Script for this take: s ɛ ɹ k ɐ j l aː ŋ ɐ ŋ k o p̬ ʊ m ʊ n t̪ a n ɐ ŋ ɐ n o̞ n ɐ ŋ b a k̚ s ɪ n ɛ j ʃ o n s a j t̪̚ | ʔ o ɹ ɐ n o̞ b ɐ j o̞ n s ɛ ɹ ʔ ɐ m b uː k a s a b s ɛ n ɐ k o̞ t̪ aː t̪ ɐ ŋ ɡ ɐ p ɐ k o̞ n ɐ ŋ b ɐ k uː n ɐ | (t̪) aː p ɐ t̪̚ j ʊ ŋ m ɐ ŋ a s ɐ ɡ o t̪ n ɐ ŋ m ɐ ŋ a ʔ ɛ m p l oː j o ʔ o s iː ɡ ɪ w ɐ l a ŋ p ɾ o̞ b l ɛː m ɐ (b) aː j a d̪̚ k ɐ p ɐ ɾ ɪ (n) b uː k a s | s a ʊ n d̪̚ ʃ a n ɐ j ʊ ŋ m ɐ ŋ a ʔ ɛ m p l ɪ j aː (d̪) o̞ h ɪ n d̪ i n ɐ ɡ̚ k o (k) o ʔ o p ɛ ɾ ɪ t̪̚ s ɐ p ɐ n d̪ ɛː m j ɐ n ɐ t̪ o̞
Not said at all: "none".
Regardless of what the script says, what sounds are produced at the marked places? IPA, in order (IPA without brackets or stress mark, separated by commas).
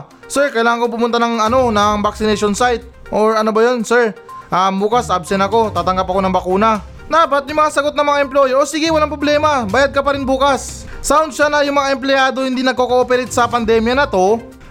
d̪, b, n, d̪, k